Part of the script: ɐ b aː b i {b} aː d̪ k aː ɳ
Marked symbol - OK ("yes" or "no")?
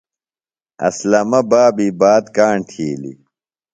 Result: yes